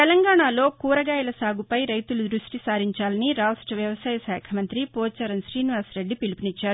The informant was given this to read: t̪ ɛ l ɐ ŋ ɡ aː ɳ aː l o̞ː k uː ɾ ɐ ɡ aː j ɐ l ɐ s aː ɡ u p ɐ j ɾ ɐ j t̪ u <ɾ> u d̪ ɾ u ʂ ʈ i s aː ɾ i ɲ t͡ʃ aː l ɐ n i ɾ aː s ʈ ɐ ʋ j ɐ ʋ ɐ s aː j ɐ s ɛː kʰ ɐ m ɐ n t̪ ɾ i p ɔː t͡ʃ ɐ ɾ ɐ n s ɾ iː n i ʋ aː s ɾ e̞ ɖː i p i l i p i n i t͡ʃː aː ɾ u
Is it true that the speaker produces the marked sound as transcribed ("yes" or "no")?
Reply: no